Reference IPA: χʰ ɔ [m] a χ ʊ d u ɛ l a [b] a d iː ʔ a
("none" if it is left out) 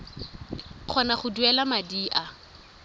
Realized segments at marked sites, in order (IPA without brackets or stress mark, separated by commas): n, m